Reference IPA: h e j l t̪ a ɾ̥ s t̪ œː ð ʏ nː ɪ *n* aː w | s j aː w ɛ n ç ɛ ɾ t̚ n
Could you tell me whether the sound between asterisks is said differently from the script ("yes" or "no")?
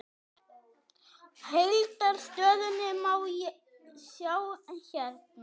yes